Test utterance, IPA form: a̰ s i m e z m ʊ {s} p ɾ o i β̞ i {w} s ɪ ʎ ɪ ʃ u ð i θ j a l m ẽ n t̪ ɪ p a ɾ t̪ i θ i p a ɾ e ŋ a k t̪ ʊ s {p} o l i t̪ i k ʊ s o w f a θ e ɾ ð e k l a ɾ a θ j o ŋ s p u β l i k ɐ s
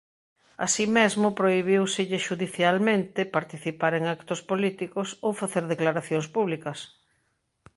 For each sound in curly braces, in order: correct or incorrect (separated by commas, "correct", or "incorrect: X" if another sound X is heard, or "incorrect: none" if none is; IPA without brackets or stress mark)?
incorrect: none, correct, correct